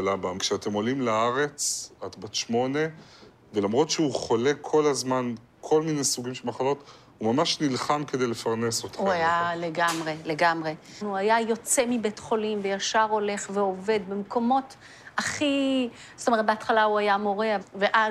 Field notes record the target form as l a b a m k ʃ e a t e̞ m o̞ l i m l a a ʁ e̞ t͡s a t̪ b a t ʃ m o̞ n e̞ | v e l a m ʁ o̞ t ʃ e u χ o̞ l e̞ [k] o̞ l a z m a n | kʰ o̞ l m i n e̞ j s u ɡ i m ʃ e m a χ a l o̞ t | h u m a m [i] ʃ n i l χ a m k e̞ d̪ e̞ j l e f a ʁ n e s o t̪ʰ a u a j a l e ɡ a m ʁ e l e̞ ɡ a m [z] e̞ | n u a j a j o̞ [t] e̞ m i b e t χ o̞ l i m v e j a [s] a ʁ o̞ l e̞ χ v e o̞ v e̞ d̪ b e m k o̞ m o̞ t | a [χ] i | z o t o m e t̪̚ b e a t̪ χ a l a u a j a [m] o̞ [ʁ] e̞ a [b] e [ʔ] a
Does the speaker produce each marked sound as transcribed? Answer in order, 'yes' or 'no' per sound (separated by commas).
no, no, no, no, no, yes, yes, yes, no, yes